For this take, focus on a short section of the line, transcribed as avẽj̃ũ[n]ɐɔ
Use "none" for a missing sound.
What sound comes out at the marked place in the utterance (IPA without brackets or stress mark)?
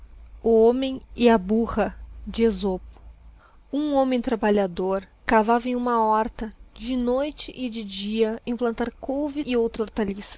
m